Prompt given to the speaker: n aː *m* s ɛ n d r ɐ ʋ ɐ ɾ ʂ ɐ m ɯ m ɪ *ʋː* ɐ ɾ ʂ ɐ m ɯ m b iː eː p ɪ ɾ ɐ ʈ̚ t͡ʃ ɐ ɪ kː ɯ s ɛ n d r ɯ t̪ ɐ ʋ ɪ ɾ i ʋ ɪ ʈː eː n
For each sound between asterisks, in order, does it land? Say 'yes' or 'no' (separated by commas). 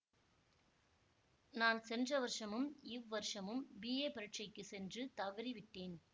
no, yes